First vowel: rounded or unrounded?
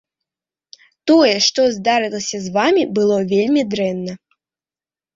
rounded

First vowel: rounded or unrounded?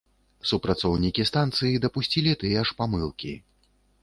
rounded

